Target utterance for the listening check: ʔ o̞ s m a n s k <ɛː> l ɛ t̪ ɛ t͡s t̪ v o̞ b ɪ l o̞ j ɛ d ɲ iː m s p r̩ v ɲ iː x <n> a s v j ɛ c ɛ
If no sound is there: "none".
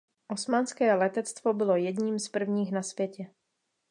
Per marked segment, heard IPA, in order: ɛː, n

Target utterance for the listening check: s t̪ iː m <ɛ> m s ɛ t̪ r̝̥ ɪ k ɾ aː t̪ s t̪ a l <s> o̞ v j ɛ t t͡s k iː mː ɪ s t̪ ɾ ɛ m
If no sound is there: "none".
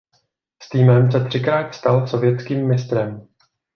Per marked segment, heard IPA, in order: ɛ, s

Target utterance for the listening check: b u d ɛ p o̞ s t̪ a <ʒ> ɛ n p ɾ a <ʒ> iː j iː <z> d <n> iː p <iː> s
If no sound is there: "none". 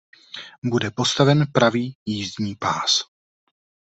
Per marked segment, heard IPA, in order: v, v, z, ɲ, aː

